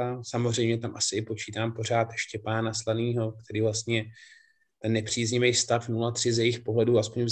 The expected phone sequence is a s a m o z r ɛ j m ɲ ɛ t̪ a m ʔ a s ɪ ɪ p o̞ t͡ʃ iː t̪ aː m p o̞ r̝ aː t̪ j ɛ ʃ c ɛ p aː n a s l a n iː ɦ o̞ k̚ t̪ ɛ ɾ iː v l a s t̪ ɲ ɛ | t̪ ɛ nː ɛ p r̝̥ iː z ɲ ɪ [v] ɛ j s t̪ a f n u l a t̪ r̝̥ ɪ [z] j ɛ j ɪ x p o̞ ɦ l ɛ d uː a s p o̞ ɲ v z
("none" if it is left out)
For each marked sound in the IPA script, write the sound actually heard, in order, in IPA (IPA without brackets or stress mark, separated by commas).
v, z